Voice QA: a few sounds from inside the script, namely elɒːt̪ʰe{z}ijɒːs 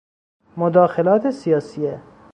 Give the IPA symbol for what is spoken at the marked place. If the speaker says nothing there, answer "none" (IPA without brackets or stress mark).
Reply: s